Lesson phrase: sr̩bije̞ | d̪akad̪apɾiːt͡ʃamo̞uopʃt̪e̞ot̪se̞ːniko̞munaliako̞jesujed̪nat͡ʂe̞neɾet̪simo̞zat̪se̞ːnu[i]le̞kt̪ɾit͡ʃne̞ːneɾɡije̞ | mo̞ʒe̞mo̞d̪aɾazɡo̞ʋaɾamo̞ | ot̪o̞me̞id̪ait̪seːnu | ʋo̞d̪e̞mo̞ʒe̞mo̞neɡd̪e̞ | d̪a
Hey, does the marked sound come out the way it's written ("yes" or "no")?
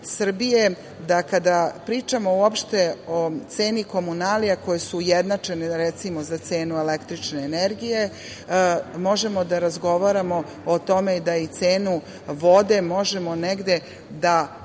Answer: no